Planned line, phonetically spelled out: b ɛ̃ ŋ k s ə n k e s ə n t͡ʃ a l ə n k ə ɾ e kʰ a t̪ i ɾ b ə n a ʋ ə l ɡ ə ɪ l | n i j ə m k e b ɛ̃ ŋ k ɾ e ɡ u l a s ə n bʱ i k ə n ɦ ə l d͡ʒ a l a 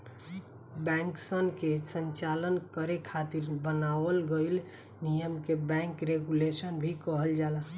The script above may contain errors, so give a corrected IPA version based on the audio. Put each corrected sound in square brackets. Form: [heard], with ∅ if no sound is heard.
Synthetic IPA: b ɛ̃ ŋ k s ə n k e s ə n t͡ʃ a l ə n k ə ɾ e kʰ a t̪ i ɾ b ə n a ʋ ə l ɡ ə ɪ l | n i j ə m k e b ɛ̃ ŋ k ɾ e ɡ u l [e] s ə n bʱ i k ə [∅] ɦ ə l d͡ʒ a l a